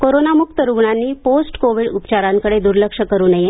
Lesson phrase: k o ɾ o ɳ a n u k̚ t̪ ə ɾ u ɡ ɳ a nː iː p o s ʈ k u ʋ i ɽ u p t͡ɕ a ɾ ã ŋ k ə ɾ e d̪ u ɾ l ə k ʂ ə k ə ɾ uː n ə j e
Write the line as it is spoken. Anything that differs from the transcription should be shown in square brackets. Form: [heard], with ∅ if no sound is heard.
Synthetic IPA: k o ɾ o [n] a [m] u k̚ t̪ ə ɾ u ɡ ɳ a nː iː p o s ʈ k [o] ʋ i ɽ u p t͡ɕ a ɾ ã ŋ k ə [ɽ] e d̪ u ɾ l ə k ʂ ə k ə ɾ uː n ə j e